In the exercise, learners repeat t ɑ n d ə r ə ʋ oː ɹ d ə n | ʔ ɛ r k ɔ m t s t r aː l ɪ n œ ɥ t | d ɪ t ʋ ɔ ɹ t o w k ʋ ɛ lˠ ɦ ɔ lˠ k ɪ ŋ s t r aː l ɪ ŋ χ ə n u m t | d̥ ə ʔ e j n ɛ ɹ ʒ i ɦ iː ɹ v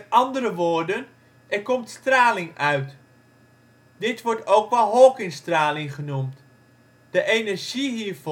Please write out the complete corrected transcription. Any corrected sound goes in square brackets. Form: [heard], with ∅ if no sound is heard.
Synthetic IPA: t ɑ n d ə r ə ʋ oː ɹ d ə n | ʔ ɛ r k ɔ m t s t r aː l ɪ [ŋ] œ ɥ t | d ɪ t ʋ ɔ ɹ t o w k ʋ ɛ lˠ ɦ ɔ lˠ k ɪ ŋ s t r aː l ɪ ŋ χ ə n u m t | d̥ ə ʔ e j n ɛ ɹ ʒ i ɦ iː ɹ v